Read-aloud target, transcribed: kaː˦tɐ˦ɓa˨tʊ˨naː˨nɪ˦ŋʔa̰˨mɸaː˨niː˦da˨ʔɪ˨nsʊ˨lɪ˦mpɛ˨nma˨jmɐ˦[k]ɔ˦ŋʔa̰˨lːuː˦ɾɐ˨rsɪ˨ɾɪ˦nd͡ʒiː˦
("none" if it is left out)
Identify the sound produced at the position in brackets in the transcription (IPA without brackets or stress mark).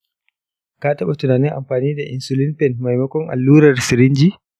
k